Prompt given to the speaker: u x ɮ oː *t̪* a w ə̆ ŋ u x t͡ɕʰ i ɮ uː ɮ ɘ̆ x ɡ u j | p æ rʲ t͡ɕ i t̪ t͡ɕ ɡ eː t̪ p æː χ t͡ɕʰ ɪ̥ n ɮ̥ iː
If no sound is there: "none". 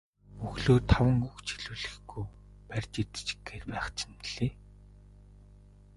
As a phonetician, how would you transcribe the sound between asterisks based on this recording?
t̪ʰ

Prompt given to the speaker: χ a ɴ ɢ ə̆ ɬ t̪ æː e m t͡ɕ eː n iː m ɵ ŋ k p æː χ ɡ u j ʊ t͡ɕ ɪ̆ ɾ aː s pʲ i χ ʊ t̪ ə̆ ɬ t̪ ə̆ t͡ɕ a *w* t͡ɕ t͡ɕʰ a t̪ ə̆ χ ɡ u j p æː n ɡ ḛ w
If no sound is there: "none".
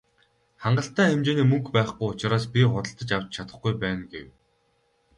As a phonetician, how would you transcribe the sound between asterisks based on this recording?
w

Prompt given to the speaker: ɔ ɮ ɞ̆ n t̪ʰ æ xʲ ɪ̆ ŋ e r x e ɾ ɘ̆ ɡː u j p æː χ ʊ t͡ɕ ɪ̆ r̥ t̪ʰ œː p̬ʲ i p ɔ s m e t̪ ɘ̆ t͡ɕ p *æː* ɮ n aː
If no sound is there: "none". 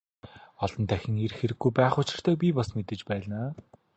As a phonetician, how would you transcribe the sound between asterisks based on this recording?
æː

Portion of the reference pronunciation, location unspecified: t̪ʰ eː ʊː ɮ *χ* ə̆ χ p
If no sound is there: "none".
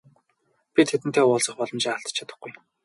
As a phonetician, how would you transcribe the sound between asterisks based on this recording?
s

